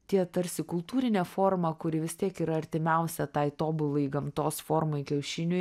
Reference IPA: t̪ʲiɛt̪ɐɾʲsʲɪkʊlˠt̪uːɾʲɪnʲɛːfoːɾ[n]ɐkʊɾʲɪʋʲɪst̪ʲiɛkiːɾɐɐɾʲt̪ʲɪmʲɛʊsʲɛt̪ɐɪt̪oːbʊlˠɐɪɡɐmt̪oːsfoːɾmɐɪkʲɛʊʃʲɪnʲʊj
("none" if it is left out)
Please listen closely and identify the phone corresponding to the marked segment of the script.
m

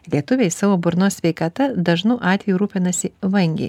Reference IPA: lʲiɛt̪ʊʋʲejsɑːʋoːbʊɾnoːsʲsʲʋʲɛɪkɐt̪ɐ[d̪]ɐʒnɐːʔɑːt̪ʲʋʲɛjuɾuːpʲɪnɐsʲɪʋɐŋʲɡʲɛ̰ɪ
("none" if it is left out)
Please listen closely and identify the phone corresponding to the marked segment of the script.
d̪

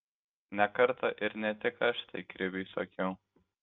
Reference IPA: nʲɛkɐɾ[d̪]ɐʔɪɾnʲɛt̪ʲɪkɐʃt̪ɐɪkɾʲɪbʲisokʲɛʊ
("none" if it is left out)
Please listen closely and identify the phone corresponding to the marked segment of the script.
t̪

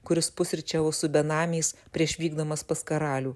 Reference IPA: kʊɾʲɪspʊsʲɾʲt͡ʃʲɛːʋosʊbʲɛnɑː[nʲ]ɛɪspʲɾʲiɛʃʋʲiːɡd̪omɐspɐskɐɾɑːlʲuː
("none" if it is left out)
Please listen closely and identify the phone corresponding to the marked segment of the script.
mʲ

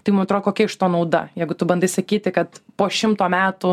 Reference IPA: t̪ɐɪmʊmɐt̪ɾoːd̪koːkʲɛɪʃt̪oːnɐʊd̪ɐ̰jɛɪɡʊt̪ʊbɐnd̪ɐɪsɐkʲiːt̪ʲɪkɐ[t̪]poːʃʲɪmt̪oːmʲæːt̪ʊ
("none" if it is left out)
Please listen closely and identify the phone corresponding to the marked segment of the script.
t̪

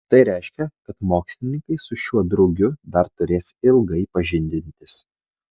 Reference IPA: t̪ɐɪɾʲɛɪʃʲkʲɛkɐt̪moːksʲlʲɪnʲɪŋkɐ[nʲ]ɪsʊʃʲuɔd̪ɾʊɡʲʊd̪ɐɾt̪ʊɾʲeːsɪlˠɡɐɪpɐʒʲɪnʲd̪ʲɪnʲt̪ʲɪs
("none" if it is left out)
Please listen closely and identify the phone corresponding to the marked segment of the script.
none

